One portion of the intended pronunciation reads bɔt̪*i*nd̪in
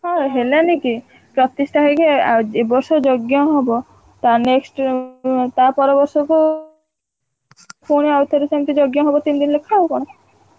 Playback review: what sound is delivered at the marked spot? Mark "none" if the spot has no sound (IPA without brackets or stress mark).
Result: i